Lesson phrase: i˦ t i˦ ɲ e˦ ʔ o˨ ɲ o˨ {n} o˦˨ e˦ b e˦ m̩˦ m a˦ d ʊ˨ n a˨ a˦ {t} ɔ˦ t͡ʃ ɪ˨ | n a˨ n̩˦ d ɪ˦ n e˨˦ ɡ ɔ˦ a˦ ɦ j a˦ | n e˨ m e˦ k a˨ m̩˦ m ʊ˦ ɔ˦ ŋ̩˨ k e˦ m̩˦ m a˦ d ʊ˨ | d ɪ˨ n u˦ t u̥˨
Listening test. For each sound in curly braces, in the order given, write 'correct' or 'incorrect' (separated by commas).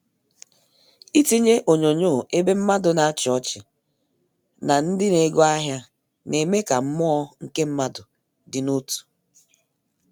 incorrect, incorrect